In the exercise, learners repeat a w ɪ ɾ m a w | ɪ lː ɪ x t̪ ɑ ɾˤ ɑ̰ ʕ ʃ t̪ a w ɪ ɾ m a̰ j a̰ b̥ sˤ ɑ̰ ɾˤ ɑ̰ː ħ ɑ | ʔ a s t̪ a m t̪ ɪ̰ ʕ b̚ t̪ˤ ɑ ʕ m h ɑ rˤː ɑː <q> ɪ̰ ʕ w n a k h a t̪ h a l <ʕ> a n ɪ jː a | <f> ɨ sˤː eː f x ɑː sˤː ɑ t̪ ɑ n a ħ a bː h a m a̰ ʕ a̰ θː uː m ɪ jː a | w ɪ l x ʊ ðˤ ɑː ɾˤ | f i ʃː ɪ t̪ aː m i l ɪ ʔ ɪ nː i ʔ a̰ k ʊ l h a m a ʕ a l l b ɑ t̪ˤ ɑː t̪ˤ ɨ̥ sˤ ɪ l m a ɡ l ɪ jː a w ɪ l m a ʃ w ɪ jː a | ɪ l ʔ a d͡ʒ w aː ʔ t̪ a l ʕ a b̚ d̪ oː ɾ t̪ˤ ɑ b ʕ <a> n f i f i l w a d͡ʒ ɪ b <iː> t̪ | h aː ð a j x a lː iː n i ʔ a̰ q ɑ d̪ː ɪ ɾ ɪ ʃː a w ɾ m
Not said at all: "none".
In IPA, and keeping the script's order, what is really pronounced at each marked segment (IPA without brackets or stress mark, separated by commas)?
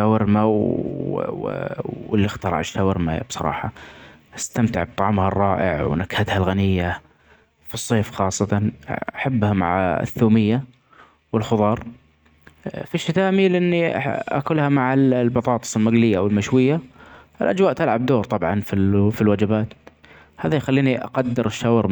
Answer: ʔ, ɣ, f, ɑ, aː